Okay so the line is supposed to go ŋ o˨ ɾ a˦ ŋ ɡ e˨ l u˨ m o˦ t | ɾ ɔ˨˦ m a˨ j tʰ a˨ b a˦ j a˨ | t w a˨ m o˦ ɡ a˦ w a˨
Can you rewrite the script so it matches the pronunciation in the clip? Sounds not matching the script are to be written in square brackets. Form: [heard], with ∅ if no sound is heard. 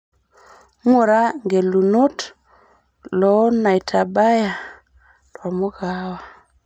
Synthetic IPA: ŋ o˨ ɾ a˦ ŋ ɡ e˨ l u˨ [n] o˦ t | [l] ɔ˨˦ [n] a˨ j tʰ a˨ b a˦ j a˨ | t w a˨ m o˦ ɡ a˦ w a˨

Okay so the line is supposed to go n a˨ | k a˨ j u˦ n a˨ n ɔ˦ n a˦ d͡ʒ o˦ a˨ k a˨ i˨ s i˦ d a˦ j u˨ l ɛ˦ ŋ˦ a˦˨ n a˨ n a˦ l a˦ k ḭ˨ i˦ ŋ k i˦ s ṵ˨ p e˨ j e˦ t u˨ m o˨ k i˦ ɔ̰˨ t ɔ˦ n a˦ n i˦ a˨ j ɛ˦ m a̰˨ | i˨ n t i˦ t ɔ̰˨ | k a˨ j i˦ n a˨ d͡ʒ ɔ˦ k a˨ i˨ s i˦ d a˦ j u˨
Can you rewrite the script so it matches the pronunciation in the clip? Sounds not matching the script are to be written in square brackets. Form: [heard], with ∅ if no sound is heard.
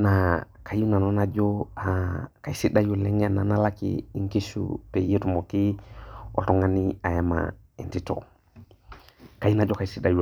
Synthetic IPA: n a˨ | k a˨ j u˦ n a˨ n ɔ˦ n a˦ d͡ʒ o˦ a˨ k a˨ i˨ s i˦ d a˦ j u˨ l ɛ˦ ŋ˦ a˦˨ n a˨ n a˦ l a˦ k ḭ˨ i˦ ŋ k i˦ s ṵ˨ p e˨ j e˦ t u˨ m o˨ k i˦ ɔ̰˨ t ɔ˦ [ŋ] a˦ n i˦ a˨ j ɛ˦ m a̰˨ | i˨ n t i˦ t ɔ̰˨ | k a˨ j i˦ n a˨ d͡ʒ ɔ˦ k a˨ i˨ s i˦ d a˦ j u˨

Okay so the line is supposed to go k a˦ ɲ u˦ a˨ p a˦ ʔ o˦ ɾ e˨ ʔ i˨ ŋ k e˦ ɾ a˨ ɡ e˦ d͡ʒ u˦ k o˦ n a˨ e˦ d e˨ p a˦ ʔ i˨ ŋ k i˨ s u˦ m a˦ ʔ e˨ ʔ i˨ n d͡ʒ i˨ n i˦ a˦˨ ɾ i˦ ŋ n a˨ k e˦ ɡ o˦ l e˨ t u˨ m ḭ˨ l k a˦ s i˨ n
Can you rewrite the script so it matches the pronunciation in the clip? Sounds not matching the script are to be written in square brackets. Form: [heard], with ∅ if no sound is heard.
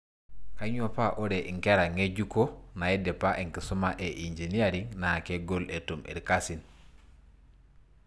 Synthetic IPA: k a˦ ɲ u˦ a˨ p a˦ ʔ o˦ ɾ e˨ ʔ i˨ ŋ k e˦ ɾ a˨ [ŋ] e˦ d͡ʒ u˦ k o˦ n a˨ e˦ d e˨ p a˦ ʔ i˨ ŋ k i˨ s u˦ m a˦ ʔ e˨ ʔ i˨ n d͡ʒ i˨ n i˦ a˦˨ ɾ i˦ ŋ n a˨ k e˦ ɡ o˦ l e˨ t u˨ m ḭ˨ [ɾ] k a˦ s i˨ n

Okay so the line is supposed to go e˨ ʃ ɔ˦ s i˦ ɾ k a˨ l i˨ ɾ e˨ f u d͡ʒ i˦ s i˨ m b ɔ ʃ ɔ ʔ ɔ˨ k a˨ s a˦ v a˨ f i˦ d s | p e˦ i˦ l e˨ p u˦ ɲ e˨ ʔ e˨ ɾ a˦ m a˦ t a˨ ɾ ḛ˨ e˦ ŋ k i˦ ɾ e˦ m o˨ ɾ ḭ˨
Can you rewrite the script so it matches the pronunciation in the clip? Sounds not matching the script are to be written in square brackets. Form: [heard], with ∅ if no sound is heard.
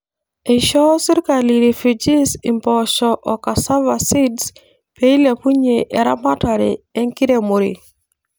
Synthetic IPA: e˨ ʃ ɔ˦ s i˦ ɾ k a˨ l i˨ ɾ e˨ f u d͡ʒ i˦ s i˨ m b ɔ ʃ ɔ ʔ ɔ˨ k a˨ s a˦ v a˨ [s] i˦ d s | p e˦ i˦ l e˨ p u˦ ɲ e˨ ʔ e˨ ɾ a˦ m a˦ t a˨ ɾ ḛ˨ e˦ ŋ k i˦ ɾ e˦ m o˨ ɾ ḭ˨

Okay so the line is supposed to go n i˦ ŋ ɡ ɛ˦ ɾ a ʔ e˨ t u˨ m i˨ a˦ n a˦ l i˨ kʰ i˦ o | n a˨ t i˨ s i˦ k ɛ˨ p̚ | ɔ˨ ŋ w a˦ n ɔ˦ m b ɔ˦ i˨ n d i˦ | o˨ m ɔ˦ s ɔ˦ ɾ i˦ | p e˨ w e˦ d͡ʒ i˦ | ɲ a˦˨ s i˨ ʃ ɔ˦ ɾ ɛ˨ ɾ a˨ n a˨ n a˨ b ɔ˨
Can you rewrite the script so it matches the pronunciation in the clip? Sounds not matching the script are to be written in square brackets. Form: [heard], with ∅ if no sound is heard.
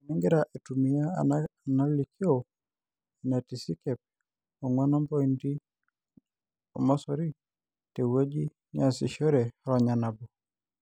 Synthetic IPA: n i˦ ŋ ɡ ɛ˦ ɾ a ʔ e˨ t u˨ m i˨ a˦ n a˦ l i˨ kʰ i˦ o | n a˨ t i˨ s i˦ k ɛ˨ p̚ | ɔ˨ ŋ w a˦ n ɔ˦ m b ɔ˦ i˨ n d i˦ | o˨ m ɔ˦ s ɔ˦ ɾ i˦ | [t] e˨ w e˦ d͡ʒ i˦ | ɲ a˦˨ s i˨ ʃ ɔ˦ ɾ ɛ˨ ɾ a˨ [ɲ] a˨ n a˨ b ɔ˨

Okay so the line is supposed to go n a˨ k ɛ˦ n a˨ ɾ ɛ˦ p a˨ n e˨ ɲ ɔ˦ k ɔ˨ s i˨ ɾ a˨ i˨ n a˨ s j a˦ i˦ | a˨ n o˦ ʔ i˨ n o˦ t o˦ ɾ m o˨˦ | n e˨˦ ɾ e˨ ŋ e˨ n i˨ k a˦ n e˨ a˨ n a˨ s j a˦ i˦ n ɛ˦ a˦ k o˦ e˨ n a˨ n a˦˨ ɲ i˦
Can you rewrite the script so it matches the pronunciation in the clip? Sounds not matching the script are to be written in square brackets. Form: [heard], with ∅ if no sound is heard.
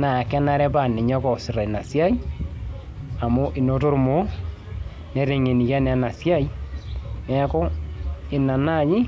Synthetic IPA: n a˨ k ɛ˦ n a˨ ɾ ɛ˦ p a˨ n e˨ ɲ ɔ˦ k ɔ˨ s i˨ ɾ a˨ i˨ n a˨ s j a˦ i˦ | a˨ [m] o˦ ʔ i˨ n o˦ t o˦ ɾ m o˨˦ | n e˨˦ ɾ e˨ ŋ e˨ n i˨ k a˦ n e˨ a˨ n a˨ s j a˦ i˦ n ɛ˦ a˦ k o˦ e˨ n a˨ n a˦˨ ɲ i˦

